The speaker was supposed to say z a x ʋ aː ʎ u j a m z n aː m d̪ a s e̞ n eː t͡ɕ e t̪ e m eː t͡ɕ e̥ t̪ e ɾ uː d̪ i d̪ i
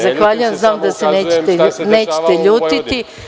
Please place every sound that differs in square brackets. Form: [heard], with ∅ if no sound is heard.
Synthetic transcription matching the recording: z a x ʋ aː ʎ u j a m z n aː m d̪ a s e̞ n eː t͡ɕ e t̪ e [n] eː t͡ɕ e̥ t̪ e [ʎ] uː [t̪] i [t̪] i